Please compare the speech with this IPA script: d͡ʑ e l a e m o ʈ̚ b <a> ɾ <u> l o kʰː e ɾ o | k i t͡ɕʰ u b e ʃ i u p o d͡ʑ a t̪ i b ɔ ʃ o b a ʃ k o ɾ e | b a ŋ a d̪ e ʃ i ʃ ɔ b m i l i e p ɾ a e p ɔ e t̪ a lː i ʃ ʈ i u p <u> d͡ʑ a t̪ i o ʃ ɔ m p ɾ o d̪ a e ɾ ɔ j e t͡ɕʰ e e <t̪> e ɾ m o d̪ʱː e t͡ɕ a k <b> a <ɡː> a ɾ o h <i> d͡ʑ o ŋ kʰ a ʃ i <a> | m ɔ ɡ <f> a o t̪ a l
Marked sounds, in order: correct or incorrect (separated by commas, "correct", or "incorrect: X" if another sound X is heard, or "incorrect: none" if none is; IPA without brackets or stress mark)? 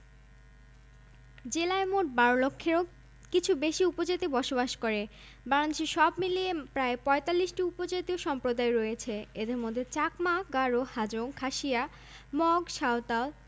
correct, incorrect: o, incorrect: o, incorrect: d̪, incorrect: m, incorrect: ɡ, incorrect: a, correct, incorrect: ʃ